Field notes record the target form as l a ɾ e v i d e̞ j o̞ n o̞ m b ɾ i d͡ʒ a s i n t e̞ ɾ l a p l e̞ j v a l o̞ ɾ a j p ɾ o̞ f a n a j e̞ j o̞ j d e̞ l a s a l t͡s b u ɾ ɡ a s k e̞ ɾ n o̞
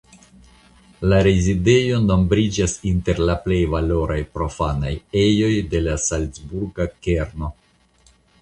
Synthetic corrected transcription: l a ɾ e z i d e̞ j o̞ n o̞ m b ɾ i d͡ʒ a s i n t e̞ ɾ l a p l e̞ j v a l o̞ ɾ a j p ɾ o̞ f a n a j e̞ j o̞ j d e̞ l a s a l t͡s b u ɾ ɡ a k e̞ ɾ n o̞